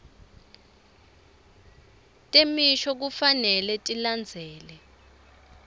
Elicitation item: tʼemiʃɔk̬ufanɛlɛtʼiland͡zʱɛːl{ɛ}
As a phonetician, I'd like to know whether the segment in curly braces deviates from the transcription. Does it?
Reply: no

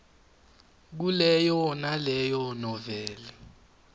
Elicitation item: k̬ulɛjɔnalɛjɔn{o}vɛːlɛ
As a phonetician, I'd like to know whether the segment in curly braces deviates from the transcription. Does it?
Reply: yes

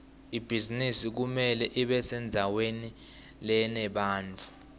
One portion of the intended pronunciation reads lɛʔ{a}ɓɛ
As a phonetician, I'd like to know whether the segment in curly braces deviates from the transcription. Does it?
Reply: yes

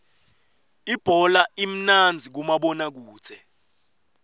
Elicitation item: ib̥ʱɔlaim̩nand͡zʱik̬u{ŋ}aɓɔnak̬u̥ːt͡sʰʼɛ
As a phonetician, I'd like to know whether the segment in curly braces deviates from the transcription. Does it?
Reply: yes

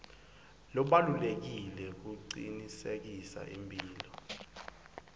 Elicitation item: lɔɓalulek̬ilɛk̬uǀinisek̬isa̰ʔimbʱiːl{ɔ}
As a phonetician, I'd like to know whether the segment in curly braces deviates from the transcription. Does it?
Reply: no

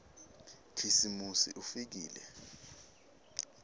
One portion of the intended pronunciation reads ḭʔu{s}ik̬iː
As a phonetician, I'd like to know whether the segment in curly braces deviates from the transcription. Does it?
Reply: yes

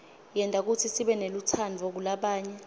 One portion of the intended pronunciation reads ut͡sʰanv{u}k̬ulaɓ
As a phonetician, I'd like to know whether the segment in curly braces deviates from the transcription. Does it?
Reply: yes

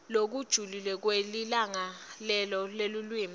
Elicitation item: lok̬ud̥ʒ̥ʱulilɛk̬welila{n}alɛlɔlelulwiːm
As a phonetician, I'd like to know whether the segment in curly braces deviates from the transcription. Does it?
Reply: yes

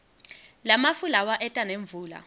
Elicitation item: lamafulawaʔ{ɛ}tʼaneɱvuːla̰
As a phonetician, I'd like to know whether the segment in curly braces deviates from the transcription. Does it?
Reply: no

